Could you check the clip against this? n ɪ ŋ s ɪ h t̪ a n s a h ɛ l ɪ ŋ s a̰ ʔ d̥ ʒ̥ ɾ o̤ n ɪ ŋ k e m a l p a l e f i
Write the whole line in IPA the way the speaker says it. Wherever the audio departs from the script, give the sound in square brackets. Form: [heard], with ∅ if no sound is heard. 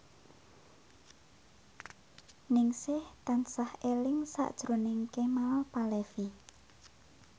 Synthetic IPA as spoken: n ɪ ŋ s ɪ h t̪ a n s a h [e] l ɪ ŋ s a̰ ʔ d̥ ʒ̥ ɾ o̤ n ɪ ŋ k e m a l p a l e f i